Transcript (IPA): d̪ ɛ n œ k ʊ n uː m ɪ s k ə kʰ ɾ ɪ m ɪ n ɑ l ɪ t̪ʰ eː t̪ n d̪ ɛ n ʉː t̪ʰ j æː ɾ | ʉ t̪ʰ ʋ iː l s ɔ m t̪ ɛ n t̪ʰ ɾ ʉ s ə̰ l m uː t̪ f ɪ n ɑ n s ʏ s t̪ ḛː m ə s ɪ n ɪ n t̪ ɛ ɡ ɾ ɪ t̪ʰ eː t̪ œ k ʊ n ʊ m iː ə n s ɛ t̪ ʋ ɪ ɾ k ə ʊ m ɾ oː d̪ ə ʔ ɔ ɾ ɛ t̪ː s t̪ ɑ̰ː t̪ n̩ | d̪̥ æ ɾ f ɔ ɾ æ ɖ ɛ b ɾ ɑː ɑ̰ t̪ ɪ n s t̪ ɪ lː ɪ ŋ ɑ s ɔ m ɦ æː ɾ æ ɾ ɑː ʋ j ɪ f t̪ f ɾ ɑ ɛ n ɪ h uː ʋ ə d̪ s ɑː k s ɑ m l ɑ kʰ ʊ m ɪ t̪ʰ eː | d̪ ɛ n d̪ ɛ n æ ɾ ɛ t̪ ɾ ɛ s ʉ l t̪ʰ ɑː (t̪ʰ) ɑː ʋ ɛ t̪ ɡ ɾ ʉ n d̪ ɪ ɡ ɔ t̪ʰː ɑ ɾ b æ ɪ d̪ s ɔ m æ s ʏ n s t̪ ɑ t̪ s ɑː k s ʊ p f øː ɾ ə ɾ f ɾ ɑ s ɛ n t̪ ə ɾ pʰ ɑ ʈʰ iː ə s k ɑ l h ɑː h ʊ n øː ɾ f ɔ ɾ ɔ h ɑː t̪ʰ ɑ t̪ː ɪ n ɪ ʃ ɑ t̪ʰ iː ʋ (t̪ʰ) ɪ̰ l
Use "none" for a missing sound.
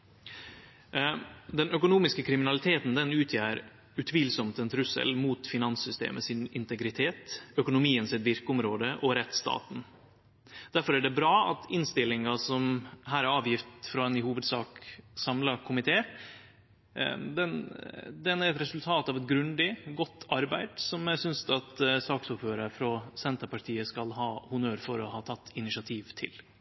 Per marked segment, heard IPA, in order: t̪, t̪ʰ

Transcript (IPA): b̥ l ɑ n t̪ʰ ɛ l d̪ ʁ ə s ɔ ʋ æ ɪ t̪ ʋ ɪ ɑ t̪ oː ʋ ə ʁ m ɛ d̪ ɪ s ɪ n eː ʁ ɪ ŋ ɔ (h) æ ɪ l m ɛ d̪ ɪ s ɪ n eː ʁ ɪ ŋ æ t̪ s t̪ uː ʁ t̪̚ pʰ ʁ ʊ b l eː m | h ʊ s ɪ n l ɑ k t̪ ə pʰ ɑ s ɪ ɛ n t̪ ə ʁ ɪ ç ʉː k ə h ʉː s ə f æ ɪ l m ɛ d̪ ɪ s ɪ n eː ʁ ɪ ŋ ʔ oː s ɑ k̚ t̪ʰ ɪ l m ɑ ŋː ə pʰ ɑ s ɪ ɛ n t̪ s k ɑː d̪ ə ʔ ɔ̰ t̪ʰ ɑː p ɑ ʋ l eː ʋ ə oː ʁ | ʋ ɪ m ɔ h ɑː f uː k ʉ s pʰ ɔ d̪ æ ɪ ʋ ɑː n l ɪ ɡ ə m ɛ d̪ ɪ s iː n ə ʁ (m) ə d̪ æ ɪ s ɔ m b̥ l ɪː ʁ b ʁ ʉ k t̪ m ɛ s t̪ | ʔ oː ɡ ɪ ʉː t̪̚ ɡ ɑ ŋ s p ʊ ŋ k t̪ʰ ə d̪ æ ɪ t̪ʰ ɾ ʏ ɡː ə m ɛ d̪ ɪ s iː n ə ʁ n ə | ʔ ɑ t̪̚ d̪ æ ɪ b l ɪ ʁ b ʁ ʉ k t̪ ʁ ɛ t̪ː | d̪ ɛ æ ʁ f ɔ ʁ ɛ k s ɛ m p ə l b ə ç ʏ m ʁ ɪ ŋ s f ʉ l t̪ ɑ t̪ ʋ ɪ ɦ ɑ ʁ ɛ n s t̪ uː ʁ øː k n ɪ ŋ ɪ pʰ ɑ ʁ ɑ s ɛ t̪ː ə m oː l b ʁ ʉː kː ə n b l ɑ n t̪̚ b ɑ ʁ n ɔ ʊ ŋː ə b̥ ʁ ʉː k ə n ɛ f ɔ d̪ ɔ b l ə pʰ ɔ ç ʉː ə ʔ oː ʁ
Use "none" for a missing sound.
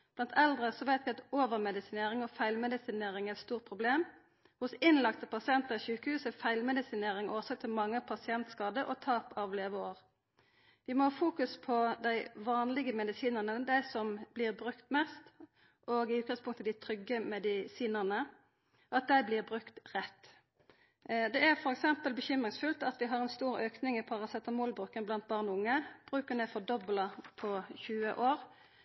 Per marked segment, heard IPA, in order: f, n

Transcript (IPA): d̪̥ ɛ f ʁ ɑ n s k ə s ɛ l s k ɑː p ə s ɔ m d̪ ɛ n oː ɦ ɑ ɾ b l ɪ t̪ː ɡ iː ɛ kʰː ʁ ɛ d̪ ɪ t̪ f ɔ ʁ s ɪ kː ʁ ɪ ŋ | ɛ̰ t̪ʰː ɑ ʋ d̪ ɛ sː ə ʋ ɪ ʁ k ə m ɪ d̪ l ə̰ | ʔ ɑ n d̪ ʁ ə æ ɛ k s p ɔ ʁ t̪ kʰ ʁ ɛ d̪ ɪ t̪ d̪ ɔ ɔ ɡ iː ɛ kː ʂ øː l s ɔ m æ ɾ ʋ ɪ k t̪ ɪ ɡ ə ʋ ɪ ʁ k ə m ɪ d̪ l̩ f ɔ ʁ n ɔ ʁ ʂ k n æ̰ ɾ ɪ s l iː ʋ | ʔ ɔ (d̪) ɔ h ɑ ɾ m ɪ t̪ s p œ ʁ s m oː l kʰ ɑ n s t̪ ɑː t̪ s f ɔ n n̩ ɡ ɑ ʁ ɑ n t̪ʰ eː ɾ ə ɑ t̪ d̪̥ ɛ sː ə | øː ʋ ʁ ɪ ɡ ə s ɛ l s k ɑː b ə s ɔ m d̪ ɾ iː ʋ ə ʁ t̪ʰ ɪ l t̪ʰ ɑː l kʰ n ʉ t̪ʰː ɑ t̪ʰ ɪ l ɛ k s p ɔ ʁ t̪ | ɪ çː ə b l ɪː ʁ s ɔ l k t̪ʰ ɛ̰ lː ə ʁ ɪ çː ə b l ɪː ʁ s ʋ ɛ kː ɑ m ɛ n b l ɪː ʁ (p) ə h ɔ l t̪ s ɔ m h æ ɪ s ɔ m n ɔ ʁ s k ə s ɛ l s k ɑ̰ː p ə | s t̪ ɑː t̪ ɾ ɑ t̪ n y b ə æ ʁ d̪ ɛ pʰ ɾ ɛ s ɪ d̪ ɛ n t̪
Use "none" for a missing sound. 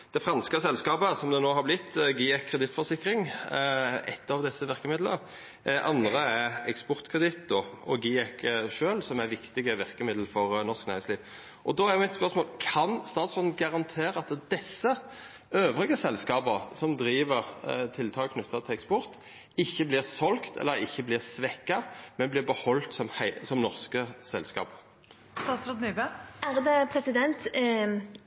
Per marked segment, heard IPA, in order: d̪, b

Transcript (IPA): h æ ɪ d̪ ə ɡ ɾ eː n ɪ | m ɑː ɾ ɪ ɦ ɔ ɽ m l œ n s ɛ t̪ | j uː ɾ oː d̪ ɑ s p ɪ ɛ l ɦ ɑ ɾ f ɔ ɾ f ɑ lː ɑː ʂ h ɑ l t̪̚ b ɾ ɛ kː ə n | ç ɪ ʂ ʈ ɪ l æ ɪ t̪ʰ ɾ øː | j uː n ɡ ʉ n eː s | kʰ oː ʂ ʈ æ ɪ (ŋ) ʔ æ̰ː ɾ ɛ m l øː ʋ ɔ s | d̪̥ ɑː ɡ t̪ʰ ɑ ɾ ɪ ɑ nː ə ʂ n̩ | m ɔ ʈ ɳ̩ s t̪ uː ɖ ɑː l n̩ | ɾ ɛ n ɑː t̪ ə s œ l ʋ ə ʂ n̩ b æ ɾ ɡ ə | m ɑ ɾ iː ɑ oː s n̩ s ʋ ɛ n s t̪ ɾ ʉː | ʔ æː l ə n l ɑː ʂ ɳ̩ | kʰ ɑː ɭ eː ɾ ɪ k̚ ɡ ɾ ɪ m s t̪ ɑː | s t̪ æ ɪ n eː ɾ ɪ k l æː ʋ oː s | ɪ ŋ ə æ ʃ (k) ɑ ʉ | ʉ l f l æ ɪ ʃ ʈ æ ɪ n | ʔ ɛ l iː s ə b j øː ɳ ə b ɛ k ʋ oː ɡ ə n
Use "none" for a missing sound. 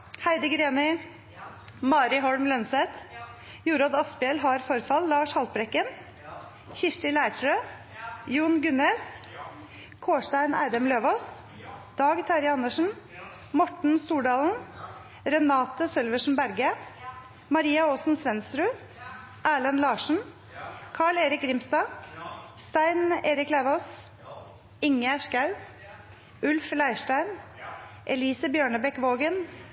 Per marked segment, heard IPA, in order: n, k

